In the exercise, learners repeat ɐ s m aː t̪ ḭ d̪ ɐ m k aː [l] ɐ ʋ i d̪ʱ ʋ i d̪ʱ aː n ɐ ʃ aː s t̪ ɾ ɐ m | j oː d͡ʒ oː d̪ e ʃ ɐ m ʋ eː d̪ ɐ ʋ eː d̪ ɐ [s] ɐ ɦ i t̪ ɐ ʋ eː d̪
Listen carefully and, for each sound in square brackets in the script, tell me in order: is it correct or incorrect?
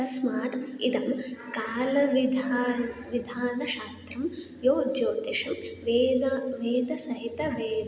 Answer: correct, correct

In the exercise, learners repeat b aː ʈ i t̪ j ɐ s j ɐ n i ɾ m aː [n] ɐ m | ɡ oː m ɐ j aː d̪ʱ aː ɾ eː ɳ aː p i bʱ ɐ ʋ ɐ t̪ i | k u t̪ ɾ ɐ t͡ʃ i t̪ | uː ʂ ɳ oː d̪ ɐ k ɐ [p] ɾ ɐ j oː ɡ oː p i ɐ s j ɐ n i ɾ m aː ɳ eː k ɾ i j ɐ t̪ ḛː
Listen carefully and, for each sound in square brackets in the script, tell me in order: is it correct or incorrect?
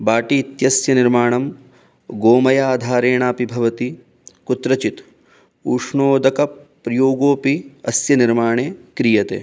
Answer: incorrect, correct

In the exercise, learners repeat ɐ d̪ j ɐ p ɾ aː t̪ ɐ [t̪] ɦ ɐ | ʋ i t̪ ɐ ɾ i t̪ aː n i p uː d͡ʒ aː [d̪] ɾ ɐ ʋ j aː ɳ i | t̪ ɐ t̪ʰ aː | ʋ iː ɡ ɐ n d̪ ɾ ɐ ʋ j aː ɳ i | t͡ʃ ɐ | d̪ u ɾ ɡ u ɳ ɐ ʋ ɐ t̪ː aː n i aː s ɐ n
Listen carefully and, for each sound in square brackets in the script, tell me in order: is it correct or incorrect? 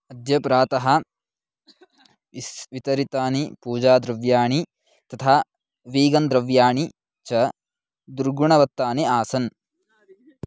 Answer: incorrect, correct

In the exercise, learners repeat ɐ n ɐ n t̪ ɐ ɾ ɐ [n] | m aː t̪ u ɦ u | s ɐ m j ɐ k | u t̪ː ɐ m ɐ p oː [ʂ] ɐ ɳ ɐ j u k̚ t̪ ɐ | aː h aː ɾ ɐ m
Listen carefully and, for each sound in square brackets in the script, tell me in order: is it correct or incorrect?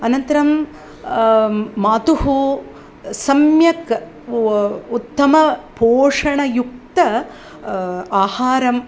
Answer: incorrect, correct

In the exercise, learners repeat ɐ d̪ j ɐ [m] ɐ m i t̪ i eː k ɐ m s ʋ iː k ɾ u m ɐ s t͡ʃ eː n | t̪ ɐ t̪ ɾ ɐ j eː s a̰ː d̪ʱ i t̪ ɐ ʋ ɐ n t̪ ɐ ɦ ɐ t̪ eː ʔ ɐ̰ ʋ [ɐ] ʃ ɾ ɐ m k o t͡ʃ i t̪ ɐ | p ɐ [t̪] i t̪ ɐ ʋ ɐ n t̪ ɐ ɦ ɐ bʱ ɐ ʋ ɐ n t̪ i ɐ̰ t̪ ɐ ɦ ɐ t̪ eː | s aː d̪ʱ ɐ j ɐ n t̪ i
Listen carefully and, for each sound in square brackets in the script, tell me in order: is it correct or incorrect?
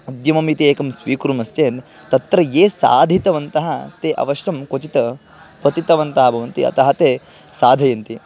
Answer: correct, correct, correct

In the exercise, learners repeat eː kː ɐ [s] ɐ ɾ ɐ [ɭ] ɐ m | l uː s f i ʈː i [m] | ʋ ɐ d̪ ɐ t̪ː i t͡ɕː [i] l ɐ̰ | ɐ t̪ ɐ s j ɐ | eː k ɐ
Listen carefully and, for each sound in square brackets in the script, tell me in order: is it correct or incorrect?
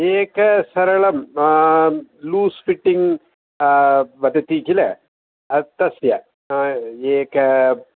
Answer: correct, correct, incorrect, correct

